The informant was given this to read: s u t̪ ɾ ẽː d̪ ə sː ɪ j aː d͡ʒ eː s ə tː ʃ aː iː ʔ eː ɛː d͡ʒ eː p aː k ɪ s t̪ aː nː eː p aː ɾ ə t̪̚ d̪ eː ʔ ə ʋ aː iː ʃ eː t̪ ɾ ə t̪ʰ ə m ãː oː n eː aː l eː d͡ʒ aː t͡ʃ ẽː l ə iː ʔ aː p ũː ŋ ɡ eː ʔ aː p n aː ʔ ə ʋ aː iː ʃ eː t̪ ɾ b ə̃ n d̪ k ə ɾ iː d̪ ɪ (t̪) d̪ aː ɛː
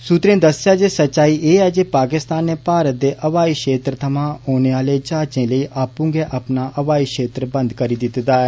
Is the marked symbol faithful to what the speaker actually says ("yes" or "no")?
yes